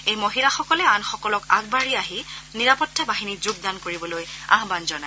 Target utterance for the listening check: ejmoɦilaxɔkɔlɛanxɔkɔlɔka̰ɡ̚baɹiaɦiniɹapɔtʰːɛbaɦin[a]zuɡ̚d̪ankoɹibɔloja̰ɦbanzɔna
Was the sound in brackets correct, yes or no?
no